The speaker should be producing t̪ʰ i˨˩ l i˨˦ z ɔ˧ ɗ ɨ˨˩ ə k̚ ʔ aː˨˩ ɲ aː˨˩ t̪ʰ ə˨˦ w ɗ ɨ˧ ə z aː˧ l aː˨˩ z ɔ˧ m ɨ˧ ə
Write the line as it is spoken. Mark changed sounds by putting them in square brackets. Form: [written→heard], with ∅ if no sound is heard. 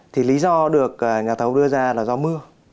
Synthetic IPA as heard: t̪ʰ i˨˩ l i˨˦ z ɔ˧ ɗ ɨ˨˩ ə k̚ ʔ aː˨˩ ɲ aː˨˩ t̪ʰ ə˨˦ w ɗ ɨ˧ ə z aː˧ l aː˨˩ z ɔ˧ m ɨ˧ ə